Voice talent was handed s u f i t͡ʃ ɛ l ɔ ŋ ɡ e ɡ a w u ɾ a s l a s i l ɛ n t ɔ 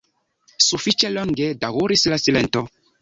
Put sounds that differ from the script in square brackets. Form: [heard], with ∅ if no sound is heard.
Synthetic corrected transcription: s u f i t͡ʃ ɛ l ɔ ŋ ɡ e [d] a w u ɾ [i] s l a s i l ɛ n t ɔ